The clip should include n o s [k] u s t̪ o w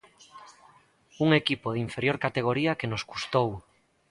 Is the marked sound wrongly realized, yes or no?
no